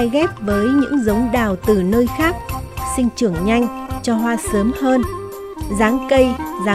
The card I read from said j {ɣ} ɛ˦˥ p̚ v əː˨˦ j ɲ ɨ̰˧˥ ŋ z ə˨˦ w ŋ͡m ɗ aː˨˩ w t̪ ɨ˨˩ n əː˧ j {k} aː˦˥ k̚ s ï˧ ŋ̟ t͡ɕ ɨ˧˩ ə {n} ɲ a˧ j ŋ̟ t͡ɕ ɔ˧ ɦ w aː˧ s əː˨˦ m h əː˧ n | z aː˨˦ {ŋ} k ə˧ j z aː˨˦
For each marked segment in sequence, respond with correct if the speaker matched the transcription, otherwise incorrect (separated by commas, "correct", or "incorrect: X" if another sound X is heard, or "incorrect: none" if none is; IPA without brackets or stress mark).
correct, incorrect: x, incorrect: ŋ, correct